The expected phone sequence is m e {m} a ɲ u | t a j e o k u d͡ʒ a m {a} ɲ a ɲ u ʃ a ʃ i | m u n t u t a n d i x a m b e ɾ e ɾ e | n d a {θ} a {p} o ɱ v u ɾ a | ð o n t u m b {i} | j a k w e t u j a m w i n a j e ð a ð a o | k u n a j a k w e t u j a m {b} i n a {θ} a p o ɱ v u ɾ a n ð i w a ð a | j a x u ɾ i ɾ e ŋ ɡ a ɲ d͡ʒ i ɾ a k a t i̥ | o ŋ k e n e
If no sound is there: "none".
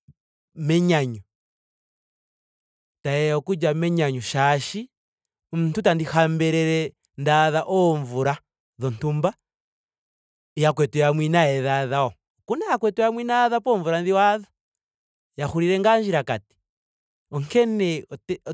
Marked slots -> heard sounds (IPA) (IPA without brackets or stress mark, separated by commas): ɲ, e, ð, ʔ, a, w, ð